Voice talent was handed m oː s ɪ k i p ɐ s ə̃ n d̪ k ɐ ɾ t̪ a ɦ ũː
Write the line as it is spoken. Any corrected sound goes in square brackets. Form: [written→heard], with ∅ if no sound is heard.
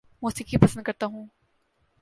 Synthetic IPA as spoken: m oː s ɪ k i p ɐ s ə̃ n d̪ k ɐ ɾ t̪ a ɦ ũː